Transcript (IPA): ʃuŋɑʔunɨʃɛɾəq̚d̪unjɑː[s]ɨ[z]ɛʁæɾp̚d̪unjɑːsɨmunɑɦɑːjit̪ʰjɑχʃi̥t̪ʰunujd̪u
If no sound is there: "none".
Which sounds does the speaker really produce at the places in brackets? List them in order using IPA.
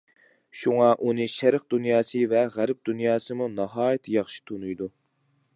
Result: s, v

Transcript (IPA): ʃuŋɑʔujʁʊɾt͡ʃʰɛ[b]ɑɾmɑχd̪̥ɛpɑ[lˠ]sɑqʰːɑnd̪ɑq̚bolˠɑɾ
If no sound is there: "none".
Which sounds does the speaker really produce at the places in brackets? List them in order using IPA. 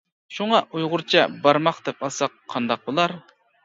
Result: b, lˠ

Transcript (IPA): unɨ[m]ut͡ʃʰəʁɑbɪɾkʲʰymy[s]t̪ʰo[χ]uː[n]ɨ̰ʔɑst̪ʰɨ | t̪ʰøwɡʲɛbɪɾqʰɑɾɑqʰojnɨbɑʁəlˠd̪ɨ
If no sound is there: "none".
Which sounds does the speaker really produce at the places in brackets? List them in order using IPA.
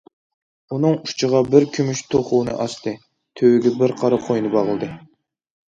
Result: ŋ, ʃ, χ, n

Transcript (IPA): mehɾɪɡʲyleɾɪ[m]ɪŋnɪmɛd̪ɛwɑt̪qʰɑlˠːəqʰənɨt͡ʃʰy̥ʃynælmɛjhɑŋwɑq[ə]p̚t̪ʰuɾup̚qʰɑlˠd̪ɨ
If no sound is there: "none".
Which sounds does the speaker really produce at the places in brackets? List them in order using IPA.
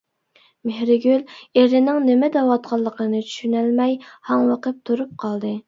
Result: n, ə

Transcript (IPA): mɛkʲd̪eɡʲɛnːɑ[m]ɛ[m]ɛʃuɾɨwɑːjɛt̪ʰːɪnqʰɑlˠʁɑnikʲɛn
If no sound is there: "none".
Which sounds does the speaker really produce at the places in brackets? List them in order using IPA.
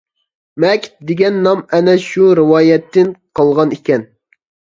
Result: m, n

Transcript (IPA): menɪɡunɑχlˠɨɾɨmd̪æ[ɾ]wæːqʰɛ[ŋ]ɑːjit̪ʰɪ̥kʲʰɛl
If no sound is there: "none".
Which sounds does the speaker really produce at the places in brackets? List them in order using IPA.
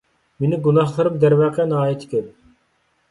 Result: ɾ, n

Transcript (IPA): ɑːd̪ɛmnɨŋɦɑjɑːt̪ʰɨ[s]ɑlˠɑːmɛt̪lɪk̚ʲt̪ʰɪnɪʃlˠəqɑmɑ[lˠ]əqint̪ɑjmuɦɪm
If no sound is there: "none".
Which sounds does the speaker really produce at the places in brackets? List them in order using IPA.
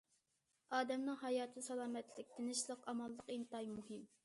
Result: s, lˠː

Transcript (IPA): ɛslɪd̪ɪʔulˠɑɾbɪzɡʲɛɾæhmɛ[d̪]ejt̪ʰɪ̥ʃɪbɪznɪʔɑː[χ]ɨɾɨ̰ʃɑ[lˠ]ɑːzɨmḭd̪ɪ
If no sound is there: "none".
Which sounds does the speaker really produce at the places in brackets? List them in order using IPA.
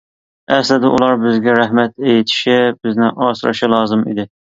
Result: t̪, s, lˠ

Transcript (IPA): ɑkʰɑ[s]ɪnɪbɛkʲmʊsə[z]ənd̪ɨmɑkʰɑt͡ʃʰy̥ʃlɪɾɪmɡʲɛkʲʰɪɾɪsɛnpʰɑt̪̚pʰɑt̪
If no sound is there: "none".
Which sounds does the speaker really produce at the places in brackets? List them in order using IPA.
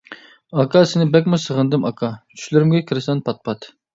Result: s, ʁ

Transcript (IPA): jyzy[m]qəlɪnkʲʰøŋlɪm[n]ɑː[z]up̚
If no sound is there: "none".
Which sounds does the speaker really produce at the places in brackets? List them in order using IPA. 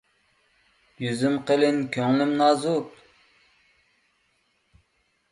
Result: m, n, z

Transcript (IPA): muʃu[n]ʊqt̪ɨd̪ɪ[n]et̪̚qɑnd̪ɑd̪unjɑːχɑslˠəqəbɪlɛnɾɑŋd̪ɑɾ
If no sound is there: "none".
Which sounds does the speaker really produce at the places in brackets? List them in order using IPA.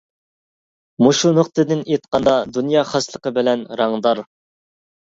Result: n, n

